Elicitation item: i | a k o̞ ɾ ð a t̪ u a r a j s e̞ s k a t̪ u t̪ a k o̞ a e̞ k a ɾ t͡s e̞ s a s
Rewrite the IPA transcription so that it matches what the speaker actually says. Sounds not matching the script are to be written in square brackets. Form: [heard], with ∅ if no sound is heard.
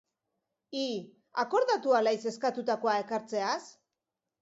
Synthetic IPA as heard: i | a k o̞ ɾ ð a t̪ u a [l] a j s e̞ s k a t̪ u t̪ a k o̞ a e̞ k a ɾ t͡s e̞ [∅] a s